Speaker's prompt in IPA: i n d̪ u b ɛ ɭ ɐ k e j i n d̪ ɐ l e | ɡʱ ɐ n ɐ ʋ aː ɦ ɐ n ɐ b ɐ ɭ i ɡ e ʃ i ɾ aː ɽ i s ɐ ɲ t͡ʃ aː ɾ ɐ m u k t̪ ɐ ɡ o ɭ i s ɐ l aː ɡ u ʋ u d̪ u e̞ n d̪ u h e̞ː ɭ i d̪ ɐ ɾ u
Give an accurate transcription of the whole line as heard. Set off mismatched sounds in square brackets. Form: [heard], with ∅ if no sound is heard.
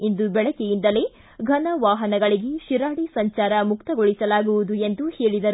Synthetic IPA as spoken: i n d̪ u b ɛ ɭ ɐ k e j i n d̪ ɐ l e | ɡʱ ɐ n ɐ ʋ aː ɦ ɐ n ɐ [ɡ] ɐ ɭ i ɡ e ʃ i ɾ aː ɽ i s ɐ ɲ t͡ʃ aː ɾ ɐ m u k t̪ ɐ ɡ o ɭ i s ɐ l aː ɡ u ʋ u d̪ u e̞ n d̪ u h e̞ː ɭ i d̪ ɐ ɾ u